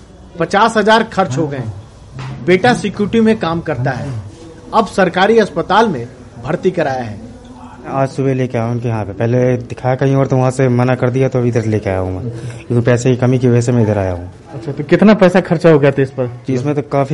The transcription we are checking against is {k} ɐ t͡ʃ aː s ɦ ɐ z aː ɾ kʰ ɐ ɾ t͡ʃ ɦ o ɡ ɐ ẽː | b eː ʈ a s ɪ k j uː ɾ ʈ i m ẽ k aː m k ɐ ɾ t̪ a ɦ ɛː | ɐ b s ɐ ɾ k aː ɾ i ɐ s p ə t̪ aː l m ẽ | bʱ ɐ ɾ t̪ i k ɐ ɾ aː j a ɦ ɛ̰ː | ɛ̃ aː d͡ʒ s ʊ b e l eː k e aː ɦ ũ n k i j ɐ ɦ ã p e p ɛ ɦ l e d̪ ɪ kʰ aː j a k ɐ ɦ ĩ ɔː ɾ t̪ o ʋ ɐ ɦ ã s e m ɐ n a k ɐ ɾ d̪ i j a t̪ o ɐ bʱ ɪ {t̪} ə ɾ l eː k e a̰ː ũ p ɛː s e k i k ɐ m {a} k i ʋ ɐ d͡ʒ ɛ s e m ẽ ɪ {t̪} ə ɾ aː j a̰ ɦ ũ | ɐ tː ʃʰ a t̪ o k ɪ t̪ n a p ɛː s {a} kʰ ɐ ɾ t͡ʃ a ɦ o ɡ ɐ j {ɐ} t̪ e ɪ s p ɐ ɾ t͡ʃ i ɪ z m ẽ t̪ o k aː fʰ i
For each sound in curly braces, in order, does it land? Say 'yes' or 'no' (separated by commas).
no, no, no, no, yes, no